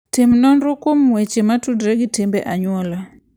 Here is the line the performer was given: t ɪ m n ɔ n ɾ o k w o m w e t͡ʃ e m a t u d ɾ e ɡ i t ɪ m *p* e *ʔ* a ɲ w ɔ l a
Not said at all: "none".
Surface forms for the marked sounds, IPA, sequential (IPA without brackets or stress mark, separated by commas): b, ʔ